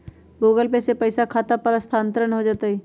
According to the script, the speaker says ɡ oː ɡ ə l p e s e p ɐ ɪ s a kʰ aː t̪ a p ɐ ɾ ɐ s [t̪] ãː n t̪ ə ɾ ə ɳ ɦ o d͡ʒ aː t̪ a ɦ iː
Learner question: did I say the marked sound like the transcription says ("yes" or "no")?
no